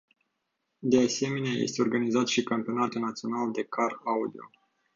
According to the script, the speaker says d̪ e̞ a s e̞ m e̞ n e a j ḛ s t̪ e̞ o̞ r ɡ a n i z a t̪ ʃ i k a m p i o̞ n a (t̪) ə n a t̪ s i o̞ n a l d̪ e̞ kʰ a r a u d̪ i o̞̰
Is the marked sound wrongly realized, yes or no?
no